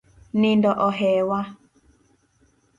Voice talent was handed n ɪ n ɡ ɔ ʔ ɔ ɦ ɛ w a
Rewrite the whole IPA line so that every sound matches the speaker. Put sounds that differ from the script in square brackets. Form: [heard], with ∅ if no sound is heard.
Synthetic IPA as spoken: n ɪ n [d] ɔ ʔ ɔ ɦ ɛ w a